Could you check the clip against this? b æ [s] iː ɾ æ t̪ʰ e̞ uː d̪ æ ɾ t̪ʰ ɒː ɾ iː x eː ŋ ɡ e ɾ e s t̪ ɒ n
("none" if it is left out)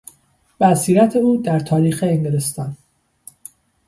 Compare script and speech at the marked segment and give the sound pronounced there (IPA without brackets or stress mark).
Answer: s